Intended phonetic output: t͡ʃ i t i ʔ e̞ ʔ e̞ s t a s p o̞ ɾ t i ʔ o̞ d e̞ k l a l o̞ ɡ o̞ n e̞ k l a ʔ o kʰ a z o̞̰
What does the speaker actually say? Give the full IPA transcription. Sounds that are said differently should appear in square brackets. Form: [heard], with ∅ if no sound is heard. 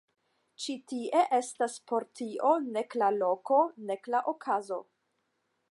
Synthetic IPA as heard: t͡ʃ i t i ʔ e̞ ʔ e̞ s t a s p o̞ ɾ t i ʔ o̞ [n] e̞ k l a l o̞ [k] o̞ n e̞ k l a ʔ o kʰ a z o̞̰